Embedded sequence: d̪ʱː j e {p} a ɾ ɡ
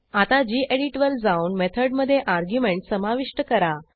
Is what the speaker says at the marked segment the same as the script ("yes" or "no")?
no